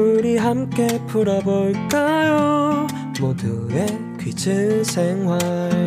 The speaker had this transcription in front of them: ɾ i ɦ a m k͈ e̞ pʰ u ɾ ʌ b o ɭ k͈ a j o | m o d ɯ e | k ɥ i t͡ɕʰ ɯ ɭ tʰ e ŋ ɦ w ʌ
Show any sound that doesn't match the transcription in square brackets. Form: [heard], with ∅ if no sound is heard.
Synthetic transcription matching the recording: ɾ i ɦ a m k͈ e̞ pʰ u ɾ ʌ b o ɭ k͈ a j o | m o d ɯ e | k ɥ i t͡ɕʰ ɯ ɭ [sʰ] e ŋ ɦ w [a]